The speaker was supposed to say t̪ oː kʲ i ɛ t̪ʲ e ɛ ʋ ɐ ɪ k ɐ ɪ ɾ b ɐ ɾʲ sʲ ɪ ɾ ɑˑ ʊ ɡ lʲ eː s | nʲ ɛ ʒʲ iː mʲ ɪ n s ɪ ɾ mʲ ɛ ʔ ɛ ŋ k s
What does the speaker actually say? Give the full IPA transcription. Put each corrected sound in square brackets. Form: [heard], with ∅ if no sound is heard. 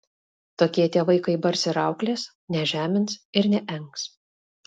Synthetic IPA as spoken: t̪ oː kʲ i ɛ t̪ʲ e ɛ ʋ ɐ ɪ k ɐ ɪ [∅] b ɐ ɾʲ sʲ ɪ ɾ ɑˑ ʊ [k] lʲ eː s | nʲ ɛ ʒʲ [æː] mʲ ɪ n s ɪ ɾ [nʲ] ɛ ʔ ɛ ŋ k s